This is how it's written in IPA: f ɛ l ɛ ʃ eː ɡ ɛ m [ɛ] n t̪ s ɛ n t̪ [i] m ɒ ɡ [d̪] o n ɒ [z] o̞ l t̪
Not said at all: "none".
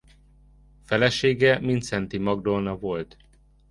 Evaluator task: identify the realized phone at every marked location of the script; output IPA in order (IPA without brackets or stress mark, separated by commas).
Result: i, i, d̪, v